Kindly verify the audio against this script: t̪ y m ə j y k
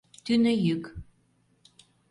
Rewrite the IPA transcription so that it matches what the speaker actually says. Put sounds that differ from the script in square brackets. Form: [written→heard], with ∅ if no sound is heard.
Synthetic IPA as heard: t̪ y [m→n] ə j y k

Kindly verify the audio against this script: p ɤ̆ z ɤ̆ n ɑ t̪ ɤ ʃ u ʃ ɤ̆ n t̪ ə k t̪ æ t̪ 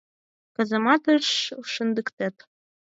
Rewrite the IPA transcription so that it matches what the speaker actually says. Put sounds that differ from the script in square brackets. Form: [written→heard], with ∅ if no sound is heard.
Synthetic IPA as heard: [p→k] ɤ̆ z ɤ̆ [n→m] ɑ t̪ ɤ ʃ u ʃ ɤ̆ n [t̪→d̪] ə k t̪ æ t̪

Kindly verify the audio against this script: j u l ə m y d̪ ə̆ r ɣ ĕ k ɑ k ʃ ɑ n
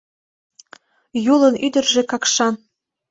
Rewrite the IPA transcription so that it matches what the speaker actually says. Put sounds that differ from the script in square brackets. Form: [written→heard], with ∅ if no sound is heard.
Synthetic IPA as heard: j u l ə [m→n] y d̪ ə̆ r [ɣ→ʒ] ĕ k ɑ k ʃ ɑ n

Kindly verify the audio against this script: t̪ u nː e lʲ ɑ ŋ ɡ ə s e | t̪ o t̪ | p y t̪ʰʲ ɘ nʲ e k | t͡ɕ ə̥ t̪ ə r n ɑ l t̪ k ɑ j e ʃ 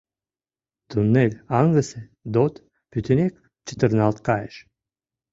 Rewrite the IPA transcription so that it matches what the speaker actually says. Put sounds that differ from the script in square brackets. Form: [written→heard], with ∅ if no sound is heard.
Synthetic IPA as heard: t̪ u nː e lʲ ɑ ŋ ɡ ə s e | [t̪→d̪] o t̪ | p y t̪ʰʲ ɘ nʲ e k | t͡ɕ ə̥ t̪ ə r n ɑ l t̪ k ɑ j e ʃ

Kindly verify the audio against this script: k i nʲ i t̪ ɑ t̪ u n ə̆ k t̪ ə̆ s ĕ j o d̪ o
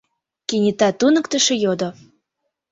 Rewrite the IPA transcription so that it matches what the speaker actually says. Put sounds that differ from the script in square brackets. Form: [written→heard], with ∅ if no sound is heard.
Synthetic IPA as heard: k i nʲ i t̪ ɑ t̪ u n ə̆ k t̪ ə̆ [s→ʃ] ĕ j o d̪ o

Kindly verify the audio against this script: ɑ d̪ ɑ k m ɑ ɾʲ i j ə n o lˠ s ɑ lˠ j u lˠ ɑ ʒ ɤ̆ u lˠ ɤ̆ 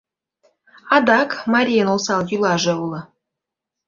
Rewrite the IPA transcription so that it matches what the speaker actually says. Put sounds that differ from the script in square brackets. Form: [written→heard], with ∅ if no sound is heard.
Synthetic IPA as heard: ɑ d̪ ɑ k m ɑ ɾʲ i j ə n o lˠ s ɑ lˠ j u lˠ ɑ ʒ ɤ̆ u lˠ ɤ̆

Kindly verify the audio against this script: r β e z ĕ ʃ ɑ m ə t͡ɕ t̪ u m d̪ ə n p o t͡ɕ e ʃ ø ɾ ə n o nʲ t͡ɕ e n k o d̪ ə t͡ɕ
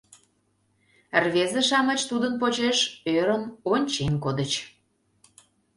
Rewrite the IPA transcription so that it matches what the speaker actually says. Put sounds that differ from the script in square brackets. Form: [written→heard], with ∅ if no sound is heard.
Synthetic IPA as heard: r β e z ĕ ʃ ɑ m ə t͡ɕ t̪ u [m→∅] d̪ ə n p o t͡ɕ e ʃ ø ɾ ə n o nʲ t͡ɕ e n k o d̪ ə t͡ɕ

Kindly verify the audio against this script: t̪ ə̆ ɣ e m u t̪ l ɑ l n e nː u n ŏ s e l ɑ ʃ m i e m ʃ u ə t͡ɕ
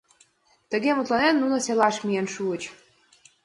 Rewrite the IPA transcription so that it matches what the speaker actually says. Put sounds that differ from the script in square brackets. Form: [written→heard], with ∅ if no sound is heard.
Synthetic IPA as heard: t̪ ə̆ ɣ e m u t̪ l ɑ [l→∅] n e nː u n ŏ s e l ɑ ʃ m i e [m→n] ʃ u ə t͡ɕ

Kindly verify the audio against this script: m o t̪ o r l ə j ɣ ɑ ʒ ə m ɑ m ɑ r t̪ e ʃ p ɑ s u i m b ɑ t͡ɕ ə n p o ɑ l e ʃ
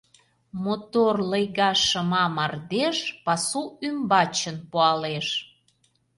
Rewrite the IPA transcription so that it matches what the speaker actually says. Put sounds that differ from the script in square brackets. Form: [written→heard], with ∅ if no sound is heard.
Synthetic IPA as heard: m o t̪ o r l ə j ɣ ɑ [ʒ→ʃ] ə m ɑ m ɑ r [t̪→d̪] e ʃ p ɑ s u [i→y] m b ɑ t͡ɕ ə n p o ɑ l e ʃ

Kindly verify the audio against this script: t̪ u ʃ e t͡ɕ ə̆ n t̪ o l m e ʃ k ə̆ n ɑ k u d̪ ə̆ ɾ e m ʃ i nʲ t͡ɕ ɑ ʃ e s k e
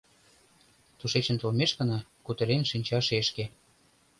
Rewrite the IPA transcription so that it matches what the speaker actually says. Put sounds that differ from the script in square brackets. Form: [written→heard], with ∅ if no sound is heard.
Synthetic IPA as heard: t̪ u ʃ e t͡ɕ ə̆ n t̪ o l m e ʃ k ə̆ n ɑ k u [d̪→t̪] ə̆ ɾ e [m→n] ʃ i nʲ t͡ɕ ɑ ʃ e [s→ʃ] k e

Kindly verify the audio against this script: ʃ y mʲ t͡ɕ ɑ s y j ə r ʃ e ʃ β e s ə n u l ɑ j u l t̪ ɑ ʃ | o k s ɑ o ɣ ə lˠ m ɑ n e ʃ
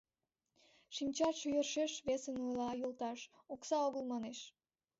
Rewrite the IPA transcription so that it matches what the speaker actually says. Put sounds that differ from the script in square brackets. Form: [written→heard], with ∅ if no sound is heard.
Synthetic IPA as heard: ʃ [y→i] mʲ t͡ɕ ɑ [s→ʃ] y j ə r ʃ e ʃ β e s ə n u l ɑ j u l t̪ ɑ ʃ | o k s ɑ o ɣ ə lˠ m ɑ n e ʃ

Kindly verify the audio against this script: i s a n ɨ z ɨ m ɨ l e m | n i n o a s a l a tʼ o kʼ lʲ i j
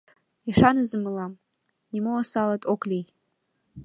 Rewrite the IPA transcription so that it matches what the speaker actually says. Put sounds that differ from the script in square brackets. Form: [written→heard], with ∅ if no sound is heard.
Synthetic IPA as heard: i [s→ʂ] a n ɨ z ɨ m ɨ l [e→a] m | n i [n→m] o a s a l a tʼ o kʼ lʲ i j

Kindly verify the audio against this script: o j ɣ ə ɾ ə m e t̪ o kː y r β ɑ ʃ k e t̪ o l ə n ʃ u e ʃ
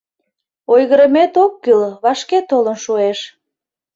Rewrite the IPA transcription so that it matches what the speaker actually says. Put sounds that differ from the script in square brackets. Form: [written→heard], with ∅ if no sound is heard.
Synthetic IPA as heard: o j ɣ ə ɾ ə m e t̪ o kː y [r→l] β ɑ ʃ k e t̪ o l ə n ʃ u e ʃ

